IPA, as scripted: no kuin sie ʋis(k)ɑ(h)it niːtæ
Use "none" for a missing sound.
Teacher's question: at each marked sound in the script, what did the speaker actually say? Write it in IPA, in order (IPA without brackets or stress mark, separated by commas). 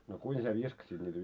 k, s